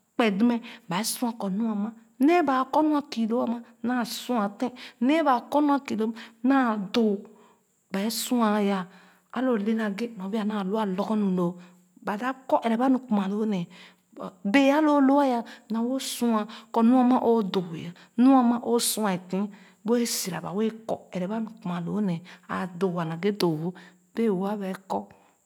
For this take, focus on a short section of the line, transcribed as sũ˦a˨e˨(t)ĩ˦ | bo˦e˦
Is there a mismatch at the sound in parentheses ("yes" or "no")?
no